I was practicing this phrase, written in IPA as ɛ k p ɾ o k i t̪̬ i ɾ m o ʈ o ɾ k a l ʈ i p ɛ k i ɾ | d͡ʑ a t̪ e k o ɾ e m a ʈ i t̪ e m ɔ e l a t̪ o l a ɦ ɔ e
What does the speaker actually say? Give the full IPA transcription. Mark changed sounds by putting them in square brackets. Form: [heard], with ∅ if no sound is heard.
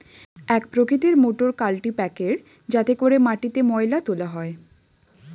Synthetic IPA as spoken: ɛ k p ɾ o k i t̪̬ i ɾ m o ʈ o ɾ k a l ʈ i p ɛ k [e] ɾ | d͡ʑ a t̪ e k o ɾ e m a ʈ i t̪ e m ɔ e l a t̪ o l a ɦ ɔ e

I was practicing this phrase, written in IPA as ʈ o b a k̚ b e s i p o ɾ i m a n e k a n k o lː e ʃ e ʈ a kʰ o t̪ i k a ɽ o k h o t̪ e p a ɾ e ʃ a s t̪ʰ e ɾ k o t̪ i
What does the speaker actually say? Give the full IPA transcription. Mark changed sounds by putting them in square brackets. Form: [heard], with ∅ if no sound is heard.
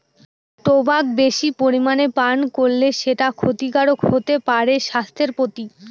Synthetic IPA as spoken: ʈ o b a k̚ b e [ʃ] i p o ɾ i m a n e [p] a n k o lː e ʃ e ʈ a kʰ o t̪ i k a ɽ o k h o t̪ e p a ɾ e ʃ a s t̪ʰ e ɾ [p] o t̪ i

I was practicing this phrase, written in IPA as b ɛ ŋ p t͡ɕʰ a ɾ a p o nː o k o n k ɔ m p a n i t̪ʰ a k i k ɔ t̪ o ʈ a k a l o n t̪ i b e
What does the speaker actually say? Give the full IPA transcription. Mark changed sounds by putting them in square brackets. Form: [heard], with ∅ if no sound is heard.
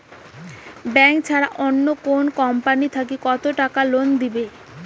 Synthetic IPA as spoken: b ɛ ŋ [k] t͡ɕʰ a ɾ a [ʔ] o nː o k o n k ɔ m p a n i t̪ʰ a k i k ɔ t̪ o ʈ a k a l o n [d̪] i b e

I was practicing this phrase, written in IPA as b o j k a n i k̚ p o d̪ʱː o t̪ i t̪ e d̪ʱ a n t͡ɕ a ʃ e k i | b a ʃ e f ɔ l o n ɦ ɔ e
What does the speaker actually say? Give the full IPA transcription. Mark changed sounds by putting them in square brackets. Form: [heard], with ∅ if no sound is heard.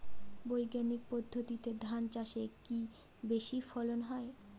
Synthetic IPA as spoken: b o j [ɡ] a n i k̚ p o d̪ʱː o t̪ i t̪ e d̪ʱ a n t͡ɕ a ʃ e k i | b [e] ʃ [i] f ɔ l o n ɦ ɔ e

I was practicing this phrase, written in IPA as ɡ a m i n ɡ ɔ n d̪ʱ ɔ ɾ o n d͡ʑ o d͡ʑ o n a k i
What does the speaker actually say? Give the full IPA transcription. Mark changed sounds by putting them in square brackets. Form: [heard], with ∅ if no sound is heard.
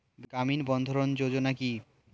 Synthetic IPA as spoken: ɡ a m i n [b] ɔ n d̪ʱ [o] ɾ o n d͡ʑ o d͡ʑ o n a k i

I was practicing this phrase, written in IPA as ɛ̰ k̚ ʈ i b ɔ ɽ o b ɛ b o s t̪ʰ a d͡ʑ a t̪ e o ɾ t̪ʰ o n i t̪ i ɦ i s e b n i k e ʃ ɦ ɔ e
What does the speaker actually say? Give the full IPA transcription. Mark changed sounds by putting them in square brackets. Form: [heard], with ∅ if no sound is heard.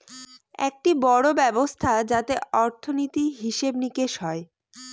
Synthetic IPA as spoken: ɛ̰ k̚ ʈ i b ɔ ɽ o b ɛ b o s t̪ʰ a d͡ʑ a t̪ e [ɔ] ɾ t̪ʰ o n i t̪ i ɦ i [ʃ] e b n i k e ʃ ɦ ɔ e

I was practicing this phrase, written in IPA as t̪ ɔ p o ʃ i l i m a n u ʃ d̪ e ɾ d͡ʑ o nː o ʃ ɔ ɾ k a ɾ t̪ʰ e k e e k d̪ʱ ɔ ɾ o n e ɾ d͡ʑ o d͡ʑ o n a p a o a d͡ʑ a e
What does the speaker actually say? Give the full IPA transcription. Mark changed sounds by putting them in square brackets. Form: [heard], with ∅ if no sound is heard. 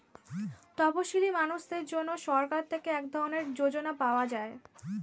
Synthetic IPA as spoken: t̪ ɔ p o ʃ i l i m a n u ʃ d̪ e ɾ d͡ʑ o nː o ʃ ɔ ɾ k a ɾ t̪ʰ e k e [ɛ] k d̪ʱ ɔ ɾ o n e ɾ d͡ʑ o d͡ʑ o n a p a o a d͡ʑ a e

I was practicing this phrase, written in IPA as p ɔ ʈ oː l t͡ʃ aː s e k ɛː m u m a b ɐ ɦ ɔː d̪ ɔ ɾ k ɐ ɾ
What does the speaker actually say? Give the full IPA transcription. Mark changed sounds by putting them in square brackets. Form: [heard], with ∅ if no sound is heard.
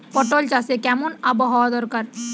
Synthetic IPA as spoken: p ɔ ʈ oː l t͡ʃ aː s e k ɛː m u [n] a b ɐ ɦ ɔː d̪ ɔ ɾ k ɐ ɾ

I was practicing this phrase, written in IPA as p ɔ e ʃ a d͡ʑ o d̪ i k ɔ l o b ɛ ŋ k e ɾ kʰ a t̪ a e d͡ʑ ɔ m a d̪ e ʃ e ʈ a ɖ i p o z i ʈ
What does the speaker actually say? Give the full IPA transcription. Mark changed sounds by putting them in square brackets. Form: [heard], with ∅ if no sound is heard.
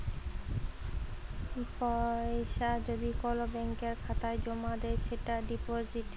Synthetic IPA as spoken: p ɔ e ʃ a d͡ʑ o d̪ i k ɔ l o b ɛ ŋ k e ɾ kʰ a t̪ a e d͡ʑ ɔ m a d̪ e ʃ e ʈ a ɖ i p o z i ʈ

